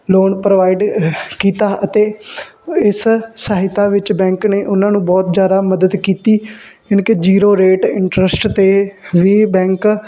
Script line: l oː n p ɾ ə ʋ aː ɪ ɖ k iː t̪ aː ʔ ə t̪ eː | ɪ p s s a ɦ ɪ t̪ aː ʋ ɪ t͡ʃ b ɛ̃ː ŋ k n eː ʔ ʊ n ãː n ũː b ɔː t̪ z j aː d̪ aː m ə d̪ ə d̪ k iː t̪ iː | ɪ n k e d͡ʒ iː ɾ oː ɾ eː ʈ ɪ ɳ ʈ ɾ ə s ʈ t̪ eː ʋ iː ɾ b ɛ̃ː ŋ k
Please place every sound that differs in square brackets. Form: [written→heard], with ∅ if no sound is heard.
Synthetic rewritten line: l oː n p ɾ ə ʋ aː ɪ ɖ k iː t̪ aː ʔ ə t̪ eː | ɪ [p→∅] s s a ɦ ɪ t̪ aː ʋ ɪ t͡ʃ b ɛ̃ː ŋ k n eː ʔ ʊ n ãː n ũː b ɔː t̪ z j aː d̪ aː m ə d̪ ə d̪ k iː t̪ iː | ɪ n k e d͡ʒ iː ɾ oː ɾ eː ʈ ɪ ɳ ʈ ɾ ə s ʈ t̪ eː ʋ iː [ɾ→∅] b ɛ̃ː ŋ k